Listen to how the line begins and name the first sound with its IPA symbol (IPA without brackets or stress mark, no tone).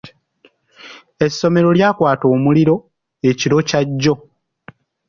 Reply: e̞